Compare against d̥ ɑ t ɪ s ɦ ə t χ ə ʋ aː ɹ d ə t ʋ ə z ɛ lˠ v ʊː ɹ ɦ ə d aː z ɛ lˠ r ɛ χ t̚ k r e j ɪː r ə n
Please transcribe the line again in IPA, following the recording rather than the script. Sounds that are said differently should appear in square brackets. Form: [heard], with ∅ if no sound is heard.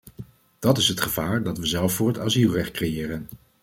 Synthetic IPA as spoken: d̥ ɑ t ɪ s ɦ ə t χ ə [v] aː ɹ d [ɑ] t ʋ ə z ɛ lˠ [f] ʊː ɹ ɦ ə [t] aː z [i] lˠ r ɛ χ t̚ k r e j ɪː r ə n